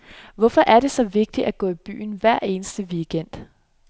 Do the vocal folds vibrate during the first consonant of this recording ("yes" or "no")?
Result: yes